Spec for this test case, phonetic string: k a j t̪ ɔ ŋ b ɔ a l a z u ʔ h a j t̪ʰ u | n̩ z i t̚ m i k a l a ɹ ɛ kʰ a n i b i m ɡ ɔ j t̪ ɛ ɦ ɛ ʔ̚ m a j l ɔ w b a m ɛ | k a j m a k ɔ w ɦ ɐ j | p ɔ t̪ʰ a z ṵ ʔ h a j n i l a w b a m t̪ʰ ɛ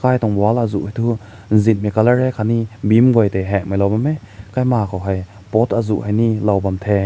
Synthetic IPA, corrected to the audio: k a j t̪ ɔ ŋ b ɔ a l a z u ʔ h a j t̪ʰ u | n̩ z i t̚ m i k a l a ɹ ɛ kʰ a n i b i m ɡ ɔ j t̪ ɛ ɦ ɛ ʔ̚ m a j l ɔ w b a m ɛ | k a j m a k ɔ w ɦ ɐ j | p ɔ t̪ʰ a z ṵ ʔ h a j n i l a w b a m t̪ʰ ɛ